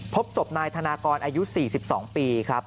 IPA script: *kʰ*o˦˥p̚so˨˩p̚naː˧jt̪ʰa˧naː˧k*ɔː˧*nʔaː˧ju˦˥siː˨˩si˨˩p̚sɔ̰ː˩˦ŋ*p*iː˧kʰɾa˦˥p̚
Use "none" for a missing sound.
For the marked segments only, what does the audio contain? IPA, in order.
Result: pʰ, ɔː˧, p

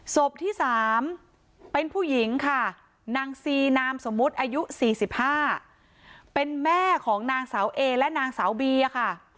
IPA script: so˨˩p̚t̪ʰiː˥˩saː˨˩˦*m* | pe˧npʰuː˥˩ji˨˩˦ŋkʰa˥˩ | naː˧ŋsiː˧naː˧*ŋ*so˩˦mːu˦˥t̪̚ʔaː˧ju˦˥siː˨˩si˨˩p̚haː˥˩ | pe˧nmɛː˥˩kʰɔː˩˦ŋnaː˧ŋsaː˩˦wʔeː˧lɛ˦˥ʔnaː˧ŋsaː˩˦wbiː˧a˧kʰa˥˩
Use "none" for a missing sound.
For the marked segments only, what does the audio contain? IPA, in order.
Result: m, m

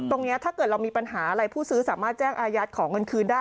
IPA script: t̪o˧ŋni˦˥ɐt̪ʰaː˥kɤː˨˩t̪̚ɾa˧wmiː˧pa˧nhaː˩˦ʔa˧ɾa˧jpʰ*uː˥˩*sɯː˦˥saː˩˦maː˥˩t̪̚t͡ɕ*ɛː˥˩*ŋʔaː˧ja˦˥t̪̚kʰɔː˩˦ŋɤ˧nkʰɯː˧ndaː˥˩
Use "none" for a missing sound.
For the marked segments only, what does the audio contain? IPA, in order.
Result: uː˥˩, ɛː˥˩

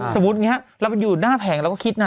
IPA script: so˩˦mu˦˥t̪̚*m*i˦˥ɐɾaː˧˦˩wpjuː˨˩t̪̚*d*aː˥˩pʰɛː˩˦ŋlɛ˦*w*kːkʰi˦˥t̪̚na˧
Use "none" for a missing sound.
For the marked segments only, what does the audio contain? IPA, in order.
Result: ŋ, n, w

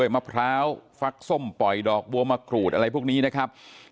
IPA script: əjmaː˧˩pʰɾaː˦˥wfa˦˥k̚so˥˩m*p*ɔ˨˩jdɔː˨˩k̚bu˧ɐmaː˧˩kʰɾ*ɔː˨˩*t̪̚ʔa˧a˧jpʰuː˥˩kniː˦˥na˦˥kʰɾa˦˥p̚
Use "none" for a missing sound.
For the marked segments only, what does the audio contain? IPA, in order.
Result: p, uː˨˩

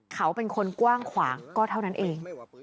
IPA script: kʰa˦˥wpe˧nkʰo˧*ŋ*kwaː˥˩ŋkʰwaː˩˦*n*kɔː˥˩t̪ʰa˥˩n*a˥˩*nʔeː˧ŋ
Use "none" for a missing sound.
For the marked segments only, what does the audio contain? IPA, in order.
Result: n, ŋ, a˦˥

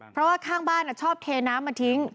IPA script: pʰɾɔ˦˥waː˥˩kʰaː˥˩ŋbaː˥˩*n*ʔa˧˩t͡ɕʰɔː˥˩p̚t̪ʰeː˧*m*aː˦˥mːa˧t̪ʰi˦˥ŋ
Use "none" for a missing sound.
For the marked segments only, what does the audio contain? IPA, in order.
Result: n, n

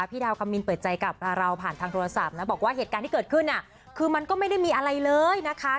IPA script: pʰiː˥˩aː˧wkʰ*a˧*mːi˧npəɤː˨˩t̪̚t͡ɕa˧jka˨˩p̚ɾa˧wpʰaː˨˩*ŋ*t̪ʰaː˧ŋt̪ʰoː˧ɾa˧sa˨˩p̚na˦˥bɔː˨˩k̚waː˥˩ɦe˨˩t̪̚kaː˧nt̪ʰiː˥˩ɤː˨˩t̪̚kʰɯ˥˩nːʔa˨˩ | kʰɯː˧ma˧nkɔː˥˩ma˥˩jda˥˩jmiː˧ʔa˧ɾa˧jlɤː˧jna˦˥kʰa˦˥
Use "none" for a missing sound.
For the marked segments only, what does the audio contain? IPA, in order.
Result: a˧, n

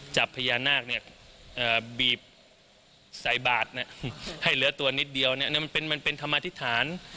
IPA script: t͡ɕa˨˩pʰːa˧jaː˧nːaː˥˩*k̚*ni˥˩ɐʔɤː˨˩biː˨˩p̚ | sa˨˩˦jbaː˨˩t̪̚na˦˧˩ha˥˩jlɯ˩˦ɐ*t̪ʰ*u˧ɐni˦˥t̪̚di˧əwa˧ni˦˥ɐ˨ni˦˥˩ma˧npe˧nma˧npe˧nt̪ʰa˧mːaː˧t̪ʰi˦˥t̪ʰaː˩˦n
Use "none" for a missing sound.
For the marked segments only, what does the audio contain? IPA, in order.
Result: k̚, t̪

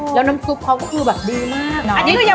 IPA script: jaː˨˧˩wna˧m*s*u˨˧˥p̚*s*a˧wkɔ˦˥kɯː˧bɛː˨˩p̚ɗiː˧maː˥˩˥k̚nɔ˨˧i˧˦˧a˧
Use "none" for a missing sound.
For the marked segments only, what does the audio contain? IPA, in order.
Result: s, h

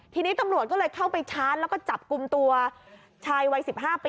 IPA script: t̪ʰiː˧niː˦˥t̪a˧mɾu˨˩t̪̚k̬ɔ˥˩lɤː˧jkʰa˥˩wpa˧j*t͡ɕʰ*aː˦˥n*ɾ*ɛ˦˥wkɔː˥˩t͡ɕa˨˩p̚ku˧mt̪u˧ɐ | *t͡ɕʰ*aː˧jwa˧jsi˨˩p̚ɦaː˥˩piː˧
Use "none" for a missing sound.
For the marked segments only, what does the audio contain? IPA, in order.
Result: t͡ɕʰ, l, t͡ɕʰ

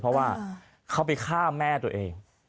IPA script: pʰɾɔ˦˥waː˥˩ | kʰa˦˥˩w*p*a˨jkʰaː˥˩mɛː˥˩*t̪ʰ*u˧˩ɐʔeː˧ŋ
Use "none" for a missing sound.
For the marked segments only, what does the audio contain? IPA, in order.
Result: p, t̪

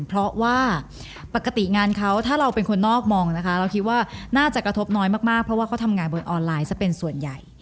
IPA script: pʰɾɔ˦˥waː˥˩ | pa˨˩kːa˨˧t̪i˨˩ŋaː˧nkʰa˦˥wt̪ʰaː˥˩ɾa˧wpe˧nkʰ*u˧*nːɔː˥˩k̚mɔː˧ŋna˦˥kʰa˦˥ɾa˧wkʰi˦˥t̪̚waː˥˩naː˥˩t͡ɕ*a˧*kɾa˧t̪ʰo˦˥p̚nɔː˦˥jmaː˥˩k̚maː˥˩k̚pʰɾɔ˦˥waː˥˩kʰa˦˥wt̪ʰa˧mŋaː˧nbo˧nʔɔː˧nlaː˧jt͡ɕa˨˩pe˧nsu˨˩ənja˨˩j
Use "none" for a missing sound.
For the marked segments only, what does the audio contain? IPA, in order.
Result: o˧, a˨˩

